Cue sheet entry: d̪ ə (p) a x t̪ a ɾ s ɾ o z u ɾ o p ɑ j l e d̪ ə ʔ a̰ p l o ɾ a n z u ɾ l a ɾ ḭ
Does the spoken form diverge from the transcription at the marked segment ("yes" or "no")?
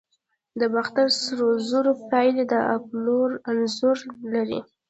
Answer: yes